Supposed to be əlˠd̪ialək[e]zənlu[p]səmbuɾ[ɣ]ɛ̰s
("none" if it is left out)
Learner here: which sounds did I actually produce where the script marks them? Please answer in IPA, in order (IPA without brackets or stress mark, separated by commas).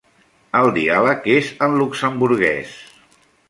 e, k, ɣ